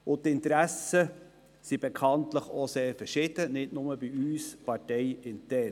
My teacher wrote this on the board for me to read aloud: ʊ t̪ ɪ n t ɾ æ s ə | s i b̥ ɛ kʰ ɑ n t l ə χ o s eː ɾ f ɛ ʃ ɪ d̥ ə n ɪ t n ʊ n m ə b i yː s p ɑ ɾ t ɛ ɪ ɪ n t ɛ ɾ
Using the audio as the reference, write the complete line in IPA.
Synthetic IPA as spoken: ʊ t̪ ɪ n t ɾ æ s ə | s i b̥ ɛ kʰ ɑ n t l ə χ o s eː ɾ f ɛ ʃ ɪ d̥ ə n ɪ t n ʊ m ə b i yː s p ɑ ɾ t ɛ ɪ ɪ n t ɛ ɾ